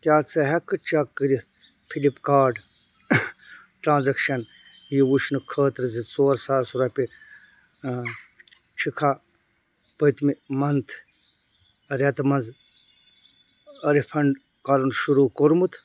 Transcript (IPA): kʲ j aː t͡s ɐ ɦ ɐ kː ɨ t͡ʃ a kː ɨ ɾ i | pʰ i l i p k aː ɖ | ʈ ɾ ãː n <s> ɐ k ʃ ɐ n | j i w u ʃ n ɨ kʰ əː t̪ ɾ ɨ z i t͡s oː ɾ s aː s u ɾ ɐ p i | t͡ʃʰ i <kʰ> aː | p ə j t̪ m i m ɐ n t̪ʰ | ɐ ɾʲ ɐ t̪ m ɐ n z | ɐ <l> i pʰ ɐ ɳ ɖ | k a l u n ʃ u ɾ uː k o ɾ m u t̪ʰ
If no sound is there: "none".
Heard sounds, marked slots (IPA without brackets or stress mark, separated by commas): z, kʰ, ɾ